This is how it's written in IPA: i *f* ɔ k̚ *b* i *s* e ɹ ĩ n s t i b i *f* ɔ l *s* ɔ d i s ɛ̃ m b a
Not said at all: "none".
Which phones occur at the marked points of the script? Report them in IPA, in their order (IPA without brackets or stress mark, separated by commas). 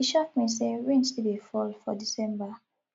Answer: ʃ, m, s, f, f